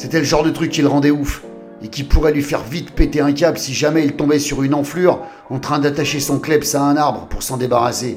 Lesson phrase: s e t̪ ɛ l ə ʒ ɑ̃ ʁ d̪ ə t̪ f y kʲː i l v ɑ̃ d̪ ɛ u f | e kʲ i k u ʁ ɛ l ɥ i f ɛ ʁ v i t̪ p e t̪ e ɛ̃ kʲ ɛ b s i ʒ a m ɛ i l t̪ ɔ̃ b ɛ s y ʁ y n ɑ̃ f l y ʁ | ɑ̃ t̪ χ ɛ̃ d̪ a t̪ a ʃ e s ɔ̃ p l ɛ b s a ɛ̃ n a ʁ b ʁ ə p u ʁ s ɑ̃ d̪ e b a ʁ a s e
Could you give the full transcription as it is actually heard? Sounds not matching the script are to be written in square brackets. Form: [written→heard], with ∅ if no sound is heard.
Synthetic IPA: s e t̪ ɛ l ə ʒ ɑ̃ ʁ d̪ ə t̪ [f→χ] y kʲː i l [v→ʁ] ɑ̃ d̪ ɛ u f | e kʲ i [k→p] u ʁ ɛ l ɥ i f ɛ ʁ v i t̪ p e t̪ e ɛ̃ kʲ [ɛ→a] b s i ʒ a m ɛ i l t̪ ɔ̃ b ɛ s y ʁ y n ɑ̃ f l y ʁ | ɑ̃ t̪ χ ɛ̃ d̪ a t̪ a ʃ e s ɔ̃ [p→k] l ɛ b s a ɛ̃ n a ʁ b ʁ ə p u ʁ s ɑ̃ d̪ e b a ʁ a s e